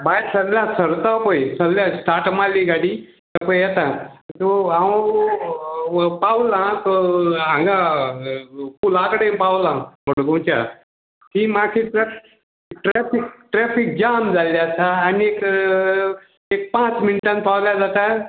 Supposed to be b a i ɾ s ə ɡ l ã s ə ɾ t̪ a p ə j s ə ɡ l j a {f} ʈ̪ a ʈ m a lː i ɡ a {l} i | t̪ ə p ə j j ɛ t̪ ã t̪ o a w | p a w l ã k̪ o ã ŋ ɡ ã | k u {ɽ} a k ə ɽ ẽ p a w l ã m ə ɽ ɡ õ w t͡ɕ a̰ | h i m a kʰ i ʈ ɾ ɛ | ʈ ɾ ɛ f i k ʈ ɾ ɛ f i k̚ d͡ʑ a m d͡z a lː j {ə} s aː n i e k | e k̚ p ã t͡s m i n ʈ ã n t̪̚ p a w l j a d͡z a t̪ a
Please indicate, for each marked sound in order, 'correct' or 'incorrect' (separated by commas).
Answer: incorrect, incorrect, incorrect, incorrect